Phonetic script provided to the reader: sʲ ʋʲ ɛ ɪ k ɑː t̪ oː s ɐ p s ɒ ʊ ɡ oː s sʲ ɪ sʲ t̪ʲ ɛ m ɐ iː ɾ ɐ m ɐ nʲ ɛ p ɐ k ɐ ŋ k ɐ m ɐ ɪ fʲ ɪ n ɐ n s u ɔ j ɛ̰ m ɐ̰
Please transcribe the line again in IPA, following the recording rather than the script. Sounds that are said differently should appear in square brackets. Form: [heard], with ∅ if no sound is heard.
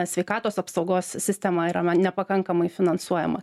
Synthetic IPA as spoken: sʲ ʋʲ ɛ ɪ k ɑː t̪ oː s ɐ p s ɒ ʊ ɡ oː s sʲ ɪ sʲ t̪ʲ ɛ m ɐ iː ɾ ɐ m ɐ nʲ ɛ p ɐ k ɐ ŋ k ɐ m ɐ ɪ fʲ ɪ n ɐ n s u ɔ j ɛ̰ m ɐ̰